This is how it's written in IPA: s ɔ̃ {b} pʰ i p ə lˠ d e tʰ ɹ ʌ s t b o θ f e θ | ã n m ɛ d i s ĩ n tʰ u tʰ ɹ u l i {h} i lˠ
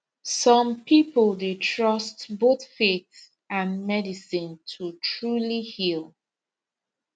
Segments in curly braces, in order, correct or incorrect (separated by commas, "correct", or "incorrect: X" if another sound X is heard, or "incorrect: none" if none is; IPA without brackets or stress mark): incorrect: m, correct